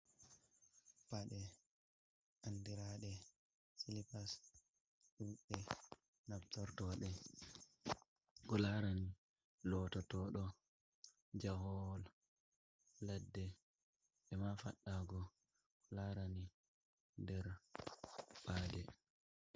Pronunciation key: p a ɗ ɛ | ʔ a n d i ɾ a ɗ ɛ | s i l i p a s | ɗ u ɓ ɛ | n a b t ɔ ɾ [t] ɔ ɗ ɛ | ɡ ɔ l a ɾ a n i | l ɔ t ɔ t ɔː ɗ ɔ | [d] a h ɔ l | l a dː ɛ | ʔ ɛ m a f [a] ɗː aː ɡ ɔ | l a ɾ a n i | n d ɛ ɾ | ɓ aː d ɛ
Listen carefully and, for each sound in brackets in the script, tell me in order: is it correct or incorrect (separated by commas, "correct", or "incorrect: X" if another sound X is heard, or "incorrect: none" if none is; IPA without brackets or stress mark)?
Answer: correct, incorrect: d͡ʒ, correct